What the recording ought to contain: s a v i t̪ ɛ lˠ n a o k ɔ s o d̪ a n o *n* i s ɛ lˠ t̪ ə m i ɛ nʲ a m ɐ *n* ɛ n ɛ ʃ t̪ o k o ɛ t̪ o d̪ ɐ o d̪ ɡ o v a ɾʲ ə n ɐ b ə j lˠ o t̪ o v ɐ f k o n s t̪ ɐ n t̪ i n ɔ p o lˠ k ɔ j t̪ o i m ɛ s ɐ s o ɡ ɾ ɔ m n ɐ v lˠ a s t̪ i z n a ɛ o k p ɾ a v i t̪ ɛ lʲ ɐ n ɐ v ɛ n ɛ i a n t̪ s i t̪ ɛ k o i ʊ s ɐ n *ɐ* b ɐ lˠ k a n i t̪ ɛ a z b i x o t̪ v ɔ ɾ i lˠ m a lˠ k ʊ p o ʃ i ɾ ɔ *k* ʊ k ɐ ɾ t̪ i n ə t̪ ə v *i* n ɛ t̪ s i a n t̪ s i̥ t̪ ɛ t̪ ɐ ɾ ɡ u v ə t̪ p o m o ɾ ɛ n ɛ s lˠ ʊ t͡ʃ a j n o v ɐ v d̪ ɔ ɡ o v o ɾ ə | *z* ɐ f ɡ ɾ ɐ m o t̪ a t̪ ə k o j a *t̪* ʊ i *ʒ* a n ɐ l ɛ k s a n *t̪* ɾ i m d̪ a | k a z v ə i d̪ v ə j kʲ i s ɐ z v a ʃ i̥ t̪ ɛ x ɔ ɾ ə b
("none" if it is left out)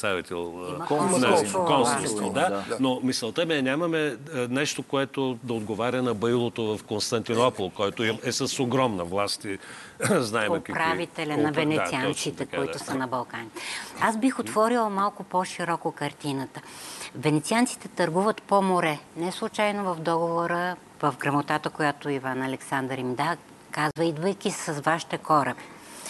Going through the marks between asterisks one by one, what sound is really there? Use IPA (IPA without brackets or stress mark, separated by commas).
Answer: m, m, ɐ, k, ɛ, v, t̪, v, d̪